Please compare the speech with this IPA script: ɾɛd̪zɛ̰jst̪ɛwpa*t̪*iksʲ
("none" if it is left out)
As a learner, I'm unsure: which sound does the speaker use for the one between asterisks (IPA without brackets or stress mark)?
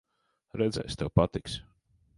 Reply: t̪